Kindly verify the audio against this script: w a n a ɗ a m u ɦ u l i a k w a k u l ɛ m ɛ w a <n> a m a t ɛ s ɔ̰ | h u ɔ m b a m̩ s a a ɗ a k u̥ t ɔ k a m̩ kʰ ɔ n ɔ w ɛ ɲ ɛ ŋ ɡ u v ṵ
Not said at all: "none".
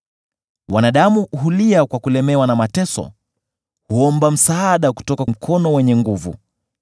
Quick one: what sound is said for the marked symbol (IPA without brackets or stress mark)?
n